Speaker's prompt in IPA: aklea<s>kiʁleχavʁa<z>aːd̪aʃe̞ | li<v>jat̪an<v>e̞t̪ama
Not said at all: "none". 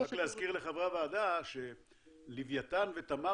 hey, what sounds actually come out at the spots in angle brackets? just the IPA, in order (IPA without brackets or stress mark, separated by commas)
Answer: z, v, v, v